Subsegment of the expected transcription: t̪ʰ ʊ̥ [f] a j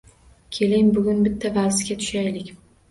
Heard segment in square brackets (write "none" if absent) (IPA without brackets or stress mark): ʃ